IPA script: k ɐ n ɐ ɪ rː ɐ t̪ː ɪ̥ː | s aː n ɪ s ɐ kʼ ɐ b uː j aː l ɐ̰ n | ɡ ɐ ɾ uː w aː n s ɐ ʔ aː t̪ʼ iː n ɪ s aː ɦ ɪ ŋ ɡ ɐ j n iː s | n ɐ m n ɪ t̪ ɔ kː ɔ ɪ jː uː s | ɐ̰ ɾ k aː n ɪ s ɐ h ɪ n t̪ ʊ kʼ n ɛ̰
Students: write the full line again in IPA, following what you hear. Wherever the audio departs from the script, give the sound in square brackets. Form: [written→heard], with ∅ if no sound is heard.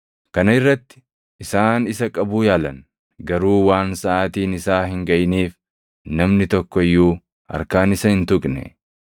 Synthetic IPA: k ɐ n ɐ ɪ rː ɐ t̪ː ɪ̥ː | s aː n ɪ s ɐ kʼ ɐ b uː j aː l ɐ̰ n | ɡ ɐ ɾ uː w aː n s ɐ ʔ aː [t̪ʼ→t̪] iː n ɪ s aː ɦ ɪ ŋ ɡ ɐ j n iː [s→f] | n ɐ m n ɪ t̪ ɔ kː ɔ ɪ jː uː [s→∅] | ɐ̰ ɾ k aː n ɪ s ɐ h ɪ n t̪ ʊ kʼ n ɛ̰